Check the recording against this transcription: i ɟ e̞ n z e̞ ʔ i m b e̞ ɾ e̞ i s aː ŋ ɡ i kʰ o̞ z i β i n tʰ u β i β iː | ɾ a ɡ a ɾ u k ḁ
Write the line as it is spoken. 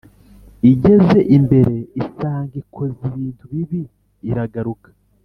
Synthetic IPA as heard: i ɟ e̞ z e̞ ʔ i m b e̞ ɾ e̞ i s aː ŋ ɡ i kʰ o̞ z i β iː n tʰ u β i β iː | ɾ a ɡ a ɾ u k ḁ